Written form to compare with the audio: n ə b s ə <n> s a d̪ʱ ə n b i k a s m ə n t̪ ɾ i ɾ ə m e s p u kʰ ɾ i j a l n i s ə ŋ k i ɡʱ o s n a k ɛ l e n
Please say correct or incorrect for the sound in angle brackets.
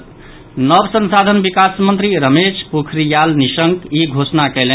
correct